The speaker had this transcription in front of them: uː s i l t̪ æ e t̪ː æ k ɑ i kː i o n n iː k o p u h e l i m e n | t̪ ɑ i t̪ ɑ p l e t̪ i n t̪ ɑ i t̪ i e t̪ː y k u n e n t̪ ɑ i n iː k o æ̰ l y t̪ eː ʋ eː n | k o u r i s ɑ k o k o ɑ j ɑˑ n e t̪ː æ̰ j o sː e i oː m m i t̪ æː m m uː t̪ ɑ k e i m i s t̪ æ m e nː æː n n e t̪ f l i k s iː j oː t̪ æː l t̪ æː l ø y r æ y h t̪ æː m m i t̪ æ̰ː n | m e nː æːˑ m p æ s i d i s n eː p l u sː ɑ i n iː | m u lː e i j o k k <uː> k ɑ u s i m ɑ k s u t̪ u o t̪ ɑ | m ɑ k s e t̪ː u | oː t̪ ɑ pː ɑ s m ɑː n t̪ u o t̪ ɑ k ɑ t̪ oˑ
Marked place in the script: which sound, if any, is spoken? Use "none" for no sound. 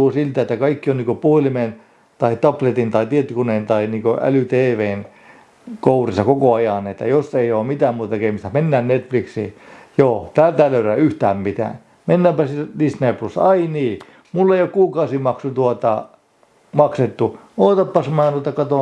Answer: uː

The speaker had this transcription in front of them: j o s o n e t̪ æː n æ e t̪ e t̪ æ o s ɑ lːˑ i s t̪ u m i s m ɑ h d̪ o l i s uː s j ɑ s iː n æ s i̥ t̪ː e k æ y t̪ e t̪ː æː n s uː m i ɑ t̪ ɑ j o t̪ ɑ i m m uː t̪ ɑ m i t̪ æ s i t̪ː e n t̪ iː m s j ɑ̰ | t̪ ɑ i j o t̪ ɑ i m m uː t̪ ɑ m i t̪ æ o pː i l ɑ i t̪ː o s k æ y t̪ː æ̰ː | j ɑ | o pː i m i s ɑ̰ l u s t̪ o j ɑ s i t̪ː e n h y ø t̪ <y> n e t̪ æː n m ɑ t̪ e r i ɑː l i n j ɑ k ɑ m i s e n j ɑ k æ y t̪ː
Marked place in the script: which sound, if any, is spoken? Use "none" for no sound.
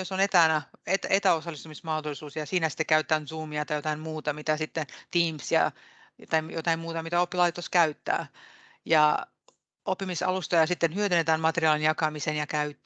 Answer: y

